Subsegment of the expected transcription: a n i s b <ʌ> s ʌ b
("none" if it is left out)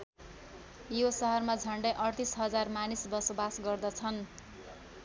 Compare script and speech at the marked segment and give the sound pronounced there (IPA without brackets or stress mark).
ʌ